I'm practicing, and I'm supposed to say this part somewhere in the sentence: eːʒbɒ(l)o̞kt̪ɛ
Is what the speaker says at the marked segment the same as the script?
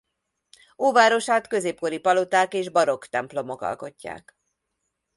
no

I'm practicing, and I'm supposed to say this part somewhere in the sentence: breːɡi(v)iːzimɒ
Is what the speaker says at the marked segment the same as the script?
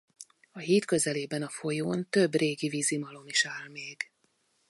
yes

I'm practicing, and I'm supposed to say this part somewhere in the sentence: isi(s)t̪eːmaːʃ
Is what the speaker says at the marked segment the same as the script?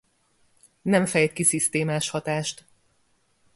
yes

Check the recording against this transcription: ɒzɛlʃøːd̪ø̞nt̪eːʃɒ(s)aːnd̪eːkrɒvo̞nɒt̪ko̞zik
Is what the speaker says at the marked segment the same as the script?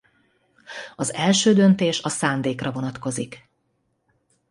yes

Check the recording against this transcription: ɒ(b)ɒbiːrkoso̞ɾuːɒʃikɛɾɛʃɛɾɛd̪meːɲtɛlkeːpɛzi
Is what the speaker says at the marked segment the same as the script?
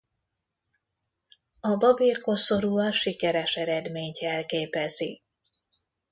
yes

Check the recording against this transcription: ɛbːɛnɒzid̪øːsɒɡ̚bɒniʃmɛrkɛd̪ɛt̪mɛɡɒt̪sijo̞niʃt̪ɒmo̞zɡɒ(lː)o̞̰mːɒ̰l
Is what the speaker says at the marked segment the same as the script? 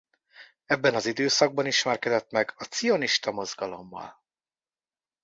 no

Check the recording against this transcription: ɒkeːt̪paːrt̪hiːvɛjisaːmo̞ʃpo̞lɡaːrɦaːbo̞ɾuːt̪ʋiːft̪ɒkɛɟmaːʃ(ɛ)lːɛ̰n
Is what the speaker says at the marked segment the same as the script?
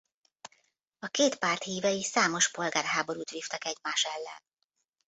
yes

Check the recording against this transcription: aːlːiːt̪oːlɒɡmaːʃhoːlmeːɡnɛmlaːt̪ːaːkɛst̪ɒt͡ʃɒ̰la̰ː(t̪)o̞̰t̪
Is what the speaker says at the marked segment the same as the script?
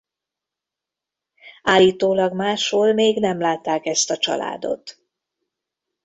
no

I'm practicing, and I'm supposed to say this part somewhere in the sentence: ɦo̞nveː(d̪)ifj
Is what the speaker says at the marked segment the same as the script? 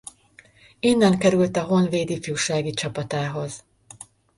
yes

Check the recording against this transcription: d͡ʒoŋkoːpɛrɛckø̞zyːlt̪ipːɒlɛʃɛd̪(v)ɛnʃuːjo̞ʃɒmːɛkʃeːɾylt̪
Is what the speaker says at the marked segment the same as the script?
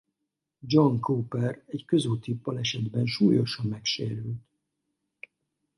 no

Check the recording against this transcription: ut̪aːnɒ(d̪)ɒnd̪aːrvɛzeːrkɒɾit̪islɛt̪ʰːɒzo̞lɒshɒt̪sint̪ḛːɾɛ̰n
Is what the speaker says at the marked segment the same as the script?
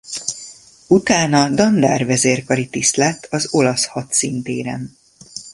yes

